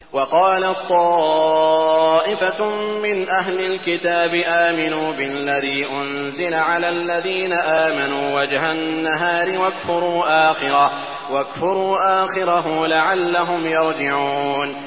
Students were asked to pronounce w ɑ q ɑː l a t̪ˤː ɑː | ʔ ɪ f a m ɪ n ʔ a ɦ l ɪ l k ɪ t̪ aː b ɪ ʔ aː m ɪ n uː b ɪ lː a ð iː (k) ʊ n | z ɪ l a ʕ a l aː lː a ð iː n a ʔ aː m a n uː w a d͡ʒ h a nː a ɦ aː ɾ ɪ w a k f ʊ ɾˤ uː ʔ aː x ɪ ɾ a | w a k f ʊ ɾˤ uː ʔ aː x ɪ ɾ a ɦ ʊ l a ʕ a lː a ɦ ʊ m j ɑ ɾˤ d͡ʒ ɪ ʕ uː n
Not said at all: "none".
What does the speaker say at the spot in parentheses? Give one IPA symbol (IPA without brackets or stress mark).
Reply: ʔ